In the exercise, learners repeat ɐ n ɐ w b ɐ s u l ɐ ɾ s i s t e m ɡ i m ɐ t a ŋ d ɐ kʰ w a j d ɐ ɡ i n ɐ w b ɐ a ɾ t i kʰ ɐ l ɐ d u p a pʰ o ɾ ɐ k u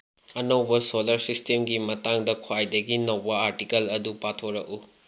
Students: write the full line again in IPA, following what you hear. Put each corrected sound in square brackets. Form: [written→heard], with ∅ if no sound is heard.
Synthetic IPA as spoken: ɐ n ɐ w b ɐ s [u→o] l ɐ ɾ s i s t e m ɡ i m ɐ t a ŋ d ɐ kʰ w a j d ɐ ɡ i n ɐ w b ɐ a ɾ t i [kʰ→k] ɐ l ɐ d u p a [pʰ→tʰ] o ɾ ɐ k u